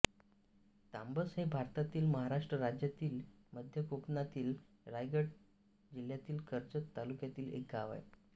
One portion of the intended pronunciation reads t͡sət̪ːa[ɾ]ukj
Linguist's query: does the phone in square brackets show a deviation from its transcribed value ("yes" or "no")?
yes